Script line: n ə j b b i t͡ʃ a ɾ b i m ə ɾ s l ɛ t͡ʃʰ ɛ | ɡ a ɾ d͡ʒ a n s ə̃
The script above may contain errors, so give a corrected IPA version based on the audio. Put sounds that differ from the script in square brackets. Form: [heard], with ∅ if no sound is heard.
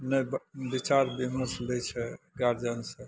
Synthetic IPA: n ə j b b i t͡ʃ a ɾ b i m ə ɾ s l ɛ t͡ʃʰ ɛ | ɡ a ɾ d͡ʒ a n s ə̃